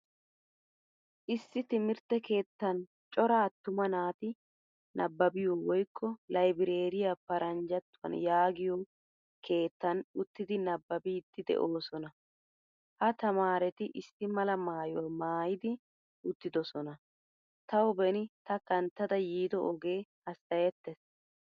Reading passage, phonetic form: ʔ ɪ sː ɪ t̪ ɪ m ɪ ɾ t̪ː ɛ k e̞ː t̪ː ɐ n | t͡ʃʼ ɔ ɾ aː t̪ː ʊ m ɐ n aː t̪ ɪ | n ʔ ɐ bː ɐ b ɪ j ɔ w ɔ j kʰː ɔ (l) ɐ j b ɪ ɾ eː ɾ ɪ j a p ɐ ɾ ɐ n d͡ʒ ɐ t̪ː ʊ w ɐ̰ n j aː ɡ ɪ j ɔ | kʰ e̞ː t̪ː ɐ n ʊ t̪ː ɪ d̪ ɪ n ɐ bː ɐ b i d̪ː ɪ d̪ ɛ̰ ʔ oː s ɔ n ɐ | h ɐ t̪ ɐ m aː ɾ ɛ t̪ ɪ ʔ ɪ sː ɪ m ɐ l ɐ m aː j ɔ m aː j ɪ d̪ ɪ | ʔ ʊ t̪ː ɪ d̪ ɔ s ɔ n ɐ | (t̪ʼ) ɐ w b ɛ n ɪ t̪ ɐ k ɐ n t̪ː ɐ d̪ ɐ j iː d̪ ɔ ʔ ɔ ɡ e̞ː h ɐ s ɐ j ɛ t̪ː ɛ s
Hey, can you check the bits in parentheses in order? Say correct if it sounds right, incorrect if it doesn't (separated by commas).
correct, incorrect